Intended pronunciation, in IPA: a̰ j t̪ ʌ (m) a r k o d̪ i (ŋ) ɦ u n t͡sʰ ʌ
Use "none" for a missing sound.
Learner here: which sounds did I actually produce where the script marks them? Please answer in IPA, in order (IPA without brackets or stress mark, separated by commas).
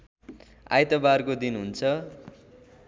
b, n